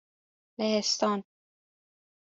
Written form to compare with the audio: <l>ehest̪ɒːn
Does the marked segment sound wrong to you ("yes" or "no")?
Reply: no